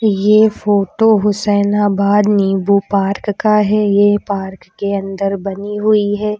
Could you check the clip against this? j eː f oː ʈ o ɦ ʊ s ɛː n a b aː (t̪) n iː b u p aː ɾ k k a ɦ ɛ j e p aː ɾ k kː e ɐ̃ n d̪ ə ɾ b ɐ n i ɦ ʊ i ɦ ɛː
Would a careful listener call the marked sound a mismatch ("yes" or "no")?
yes